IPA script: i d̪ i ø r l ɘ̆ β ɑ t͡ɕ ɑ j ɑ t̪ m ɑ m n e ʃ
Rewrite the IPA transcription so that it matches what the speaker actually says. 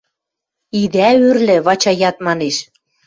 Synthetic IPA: i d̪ æ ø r l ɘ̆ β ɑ t͡ɕ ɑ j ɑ t̪ m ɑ n e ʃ